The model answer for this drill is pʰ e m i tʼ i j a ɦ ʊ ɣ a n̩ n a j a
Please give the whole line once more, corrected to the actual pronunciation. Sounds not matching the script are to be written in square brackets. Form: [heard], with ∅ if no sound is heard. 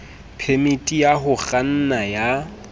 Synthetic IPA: pʰ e m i tʼ i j a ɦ ʊ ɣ a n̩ n a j a